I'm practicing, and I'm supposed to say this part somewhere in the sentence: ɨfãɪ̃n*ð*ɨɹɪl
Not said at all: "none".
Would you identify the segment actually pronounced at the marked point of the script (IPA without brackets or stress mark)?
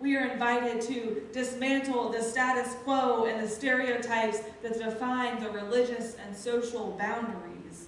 ð